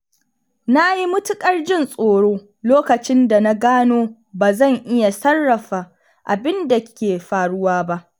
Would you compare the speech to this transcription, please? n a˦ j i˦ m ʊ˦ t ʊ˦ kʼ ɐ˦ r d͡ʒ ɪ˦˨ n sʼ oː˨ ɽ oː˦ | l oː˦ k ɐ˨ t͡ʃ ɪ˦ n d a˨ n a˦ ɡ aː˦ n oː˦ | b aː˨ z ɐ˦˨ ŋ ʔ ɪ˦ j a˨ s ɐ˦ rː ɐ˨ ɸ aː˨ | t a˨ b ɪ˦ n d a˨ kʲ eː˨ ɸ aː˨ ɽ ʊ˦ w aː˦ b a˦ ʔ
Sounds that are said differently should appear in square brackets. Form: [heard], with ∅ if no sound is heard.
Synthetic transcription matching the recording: n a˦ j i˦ m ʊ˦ t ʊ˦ kʼ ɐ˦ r d͡ʒ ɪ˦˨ n sʼ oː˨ ɽ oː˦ | l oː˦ k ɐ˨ t͡ʃ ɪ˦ n d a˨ n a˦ ɡ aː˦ n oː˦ | b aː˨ z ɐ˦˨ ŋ ʔ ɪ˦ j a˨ s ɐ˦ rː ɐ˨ ɸ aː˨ | [ʔ] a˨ b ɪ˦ n d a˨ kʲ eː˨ ɸ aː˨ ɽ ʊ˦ w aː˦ b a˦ ʔ